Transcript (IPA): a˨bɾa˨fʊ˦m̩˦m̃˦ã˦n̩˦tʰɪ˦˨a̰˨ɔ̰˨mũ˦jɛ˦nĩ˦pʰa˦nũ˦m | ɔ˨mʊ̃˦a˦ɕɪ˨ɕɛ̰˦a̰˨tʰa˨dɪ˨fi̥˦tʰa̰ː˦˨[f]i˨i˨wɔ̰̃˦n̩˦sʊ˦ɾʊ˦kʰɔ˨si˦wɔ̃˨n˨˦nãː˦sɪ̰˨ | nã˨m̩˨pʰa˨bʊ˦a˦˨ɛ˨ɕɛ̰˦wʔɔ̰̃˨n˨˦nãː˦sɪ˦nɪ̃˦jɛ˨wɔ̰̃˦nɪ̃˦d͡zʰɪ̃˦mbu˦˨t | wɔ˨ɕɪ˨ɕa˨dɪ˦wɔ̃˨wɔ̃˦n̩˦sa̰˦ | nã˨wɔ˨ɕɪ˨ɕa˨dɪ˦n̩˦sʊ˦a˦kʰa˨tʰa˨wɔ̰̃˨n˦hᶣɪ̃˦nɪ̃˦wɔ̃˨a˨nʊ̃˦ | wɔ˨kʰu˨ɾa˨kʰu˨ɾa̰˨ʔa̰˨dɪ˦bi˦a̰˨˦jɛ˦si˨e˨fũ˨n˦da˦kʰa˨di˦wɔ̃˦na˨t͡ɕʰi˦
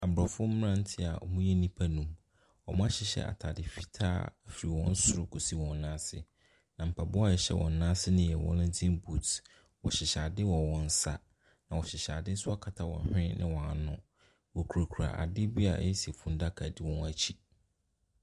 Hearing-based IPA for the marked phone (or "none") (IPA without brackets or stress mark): f